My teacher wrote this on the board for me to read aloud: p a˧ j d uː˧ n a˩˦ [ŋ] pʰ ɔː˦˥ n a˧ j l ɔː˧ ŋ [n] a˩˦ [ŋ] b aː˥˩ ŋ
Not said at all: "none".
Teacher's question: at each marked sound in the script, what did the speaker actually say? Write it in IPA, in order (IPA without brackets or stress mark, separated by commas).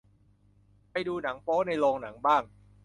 ŋ, n, ŋ